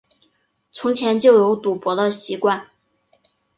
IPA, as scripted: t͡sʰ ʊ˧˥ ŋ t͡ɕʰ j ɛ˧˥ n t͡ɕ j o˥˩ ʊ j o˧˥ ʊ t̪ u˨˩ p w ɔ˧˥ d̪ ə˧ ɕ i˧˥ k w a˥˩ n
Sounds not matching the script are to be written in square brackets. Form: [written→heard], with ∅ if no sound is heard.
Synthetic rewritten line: t͡sʰ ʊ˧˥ ŋ t͡ɕʰ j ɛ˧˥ n t͡ɕ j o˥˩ ʊ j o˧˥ ʊ t̪ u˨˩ p w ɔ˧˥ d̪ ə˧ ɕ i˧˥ k w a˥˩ n